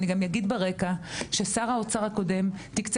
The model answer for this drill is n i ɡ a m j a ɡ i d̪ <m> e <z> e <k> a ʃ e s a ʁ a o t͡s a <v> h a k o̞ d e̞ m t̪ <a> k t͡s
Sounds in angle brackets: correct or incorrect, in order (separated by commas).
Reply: incorrect, incorrect, correct, incorrect, incorrect